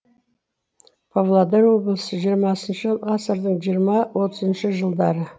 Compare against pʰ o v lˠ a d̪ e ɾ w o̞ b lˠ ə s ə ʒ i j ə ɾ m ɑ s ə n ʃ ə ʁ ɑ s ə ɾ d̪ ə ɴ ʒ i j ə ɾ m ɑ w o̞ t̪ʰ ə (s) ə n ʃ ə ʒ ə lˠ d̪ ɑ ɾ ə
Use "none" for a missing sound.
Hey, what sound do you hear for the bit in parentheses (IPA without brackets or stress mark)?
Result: z